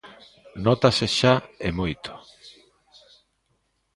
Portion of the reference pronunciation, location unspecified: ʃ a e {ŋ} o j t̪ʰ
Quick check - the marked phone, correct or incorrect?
incorrect